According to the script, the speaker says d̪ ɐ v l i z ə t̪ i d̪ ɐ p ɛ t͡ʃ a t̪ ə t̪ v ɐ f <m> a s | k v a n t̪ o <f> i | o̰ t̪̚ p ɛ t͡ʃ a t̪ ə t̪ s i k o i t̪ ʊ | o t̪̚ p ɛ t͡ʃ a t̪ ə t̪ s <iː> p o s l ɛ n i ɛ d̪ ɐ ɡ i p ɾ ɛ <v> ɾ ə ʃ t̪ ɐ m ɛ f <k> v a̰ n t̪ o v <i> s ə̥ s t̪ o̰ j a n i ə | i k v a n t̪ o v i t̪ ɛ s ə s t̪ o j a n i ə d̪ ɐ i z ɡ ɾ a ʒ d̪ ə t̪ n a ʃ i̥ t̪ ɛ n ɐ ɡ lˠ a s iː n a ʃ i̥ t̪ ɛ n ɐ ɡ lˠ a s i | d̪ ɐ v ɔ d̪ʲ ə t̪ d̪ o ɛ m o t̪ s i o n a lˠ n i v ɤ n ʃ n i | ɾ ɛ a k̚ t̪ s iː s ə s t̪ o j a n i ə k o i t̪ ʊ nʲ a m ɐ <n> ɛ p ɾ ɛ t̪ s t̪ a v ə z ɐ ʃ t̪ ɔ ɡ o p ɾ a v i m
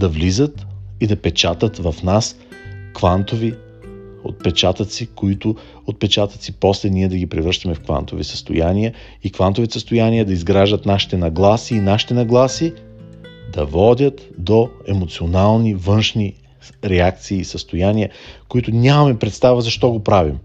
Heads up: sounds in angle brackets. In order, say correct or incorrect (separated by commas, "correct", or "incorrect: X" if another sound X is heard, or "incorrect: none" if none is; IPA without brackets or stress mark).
incorrect: n, incorrect: v, incorrect: i, correct, correct, correct, incorrect: m